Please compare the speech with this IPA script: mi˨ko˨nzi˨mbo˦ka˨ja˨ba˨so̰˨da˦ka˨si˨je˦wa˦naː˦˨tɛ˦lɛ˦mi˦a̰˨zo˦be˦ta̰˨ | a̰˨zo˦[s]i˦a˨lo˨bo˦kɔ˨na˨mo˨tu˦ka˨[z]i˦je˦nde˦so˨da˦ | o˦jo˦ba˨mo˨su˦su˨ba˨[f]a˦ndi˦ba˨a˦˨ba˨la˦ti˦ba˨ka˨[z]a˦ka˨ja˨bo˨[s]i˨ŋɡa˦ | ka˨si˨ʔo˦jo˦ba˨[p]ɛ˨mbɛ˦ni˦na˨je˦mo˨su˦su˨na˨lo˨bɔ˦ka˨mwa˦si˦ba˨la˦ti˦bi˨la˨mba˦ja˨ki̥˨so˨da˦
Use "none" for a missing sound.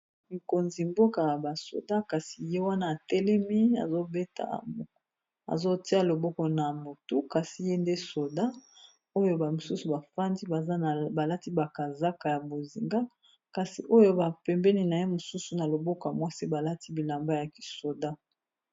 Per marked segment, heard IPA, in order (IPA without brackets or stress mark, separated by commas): t, s, f, z, z, p